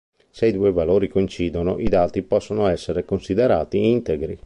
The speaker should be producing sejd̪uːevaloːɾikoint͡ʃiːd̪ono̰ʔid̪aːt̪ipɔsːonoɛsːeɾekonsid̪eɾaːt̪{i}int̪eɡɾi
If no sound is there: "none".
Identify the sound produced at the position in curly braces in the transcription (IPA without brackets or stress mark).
i